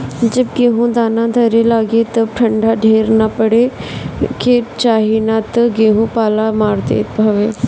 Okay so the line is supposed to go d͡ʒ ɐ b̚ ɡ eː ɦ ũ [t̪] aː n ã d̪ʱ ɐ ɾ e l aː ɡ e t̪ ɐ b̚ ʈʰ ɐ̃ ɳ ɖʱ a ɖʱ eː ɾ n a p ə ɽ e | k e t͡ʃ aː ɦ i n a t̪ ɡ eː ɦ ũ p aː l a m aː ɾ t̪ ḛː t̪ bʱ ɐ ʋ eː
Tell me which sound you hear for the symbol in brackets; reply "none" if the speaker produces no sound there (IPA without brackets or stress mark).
d̪